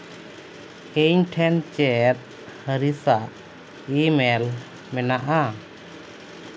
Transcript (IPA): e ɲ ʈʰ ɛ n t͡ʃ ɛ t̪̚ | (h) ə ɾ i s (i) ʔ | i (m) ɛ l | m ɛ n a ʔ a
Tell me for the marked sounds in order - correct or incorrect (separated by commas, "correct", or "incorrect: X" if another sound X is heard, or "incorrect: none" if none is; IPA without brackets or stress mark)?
correct, incorrect: a, correct